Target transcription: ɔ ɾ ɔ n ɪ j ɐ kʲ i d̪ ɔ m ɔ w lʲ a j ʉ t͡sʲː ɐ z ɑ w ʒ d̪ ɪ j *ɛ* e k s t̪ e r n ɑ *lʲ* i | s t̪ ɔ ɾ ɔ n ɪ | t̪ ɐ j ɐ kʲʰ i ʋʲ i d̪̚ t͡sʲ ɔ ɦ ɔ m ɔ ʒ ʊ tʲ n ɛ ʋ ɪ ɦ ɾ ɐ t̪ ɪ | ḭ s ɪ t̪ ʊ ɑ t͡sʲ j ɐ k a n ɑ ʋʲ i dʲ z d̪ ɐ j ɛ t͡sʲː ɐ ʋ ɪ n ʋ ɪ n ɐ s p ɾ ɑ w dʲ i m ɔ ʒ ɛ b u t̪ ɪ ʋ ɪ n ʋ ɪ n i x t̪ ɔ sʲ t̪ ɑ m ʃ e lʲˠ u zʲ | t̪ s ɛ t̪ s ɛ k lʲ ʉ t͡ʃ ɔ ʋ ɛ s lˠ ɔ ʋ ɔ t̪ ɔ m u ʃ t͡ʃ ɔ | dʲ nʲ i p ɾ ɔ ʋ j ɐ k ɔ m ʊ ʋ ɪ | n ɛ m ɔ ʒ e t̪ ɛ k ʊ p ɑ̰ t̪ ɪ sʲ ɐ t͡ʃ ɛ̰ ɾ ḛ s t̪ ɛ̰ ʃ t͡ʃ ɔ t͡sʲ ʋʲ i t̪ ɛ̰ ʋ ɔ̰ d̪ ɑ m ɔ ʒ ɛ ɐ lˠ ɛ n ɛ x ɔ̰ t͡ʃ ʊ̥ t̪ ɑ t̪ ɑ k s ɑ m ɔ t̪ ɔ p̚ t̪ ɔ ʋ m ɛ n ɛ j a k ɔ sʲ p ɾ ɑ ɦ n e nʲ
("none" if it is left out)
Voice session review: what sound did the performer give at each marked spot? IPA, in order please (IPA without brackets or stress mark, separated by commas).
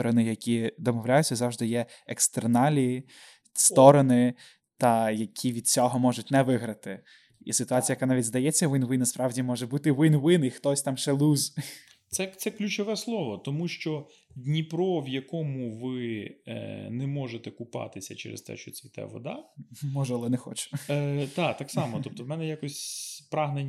ɛ, lʲ